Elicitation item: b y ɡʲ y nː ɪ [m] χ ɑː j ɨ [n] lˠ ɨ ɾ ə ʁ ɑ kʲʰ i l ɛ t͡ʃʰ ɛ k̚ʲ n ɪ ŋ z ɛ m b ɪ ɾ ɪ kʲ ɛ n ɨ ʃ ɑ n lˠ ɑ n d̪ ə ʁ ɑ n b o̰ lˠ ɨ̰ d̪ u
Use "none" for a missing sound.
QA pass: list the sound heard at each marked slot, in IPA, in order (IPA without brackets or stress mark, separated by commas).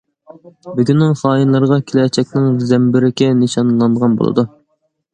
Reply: ŋ, n